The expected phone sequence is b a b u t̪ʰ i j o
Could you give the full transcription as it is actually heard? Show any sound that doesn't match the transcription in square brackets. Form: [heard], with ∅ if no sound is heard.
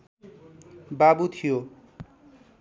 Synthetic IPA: b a b u t̪ʰ i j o